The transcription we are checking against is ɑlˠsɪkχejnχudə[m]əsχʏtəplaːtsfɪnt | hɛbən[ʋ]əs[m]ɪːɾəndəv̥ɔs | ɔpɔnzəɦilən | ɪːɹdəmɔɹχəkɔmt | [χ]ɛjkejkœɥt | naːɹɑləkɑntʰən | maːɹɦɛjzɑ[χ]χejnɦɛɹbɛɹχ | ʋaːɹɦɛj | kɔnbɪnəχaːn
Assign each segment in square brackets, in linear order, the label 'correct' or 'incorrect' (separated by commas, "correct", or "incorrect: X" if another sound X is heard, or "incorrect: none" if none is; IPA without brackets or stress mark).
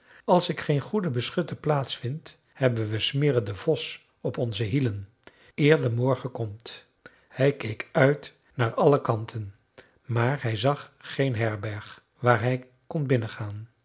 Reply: incorrect: b, correct, correct, incorrect: h, correct